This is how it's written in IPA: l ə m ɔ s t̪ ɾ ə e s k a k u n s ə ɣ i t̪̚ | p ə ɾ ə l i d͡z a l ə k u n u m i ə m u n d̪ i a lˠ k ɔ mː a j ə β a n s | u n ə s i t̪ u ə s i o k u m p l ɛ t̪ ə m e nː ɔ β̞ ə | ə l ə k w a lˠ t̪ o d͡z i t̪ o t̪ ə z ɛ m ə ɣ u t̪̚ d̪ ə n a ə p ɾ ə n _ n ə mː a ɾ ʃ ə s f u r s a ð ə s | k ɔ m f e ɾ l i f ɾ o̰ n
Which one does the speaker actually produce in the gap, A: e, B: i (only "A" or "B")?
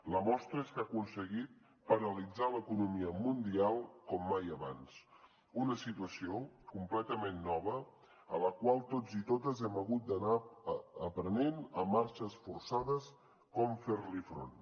A